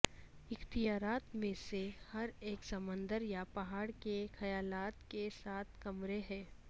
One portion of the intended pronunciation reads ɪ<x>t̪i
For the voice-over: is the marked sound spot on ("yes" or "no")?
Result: yes